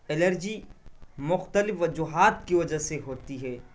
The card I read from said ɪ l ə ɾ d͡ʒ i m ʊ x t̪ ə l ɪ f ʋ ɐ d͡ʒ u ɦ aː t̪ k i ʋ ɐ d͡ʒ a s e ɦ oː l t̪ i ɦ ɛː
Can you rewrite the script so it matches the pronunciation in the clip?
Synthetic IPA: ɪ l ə ɾ d͡ʒ i m ʊ x t̪ ə l ɪ f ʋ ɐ d͡ʒ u ɦ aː t̪ k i ʋ ɐ d͡ʒ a s e ɦ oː t̪ i ɦ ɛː